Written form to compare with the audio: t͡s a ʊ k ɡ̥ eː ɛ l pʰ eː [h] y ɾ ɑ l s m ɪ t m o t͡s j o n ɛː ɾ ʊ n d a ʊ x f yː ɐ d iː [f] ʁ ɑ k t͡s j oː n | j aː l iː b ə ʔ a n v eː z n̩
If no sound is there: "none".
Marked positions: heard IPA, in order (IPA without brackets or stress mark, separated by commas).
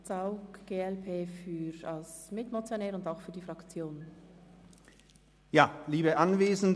f, f